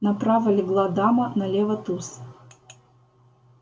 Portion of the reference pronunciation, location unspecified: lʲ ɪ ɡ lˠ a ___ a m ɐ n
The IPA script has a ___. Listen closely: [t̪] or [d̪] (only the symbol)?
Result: d̪